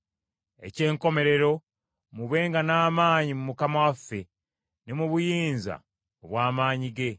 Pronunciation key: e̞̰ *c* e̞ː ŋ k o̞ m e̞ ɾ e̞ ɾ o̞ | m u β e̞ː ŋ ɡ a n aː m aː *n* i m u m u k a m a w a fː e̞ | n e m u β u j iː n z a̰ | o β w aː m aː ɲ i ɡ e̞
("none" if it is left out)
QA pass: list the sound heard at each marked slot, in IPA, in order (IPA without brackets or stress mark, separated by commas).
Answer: c, ɲ